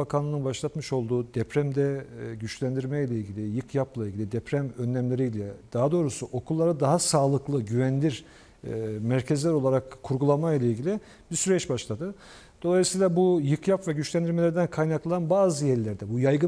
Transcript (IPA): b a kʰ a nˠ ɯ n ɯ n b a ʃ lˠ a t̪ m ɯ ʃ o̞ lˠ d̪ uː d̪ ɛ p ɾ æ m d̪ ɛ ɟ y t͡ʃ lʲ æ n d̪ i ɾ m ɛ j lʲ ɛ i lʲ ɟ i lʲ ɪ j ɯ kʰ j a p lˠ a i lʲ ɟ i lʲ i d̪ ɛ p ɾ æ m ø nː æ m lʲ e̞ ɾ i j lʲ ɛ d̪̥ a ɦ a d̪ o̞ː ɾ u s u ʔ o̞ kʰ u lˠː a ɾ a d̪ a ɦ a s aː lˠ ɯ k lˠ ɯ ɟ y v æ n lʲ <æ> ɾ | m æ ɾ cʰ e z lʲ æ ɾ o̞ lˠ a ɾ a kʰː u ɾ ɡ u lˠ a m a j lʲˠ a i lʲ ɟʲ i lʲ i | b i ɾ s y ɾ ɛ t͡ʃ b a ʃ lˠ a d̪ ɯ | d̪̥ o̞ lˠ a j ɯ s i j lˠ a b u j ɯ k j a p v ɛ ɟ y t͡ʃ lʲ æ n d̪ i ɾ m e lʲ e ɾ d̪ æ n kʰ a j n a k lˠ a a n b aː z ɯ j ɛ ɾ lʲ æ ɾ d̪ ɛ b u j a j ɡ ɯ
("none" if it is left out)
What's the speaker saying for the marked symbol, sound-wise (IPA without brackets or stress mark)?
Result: i